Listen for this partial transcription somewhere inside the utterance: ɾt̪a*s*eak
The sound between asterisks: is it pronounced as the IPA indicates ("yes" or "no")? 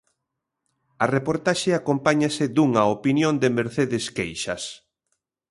no